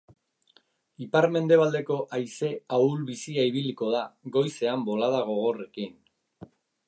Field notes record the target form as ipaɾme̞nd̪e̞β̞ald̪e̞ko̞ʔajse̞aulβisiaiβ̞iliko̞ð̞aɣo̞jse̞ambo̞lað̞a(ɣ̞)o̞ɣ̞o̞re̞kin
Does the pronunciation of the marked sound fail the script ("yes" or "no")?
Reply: no